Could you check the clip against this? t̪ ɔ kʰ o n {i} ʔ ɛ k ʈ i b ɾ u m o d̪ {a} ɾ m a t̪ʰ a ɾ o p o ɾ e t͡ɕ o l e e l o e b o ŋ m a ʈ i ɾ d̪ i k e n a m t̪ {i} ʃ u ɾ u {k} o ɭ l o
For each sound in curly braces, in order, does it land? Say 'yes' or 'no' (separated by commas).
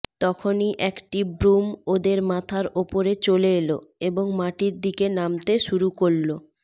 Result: yes, no, no, yes